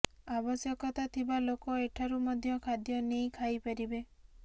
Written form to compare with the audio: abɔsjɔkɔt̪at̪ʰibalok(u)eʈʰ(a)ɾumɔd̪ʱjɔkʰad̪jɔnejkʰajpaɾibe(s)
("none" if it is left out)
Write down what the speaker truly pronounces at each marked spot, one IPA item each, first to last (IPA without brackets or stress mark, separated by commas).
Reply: ɔ, a, none